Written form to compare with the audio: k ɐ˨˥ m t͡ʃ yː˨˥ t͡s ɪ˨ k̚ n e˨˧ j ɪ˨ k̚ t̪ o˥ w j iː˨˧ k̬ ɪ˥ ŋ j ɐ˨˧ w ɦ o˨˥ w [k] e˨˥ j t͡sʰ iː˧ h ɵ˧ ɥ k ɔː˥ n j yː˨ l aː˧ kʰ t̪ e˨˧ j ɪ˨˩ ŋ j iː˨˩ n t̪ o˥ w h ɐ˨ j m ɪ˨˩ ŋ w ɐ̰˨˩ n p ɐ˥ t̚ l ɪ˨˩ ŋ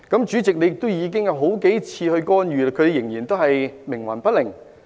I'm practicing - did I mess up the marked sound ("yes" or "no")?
no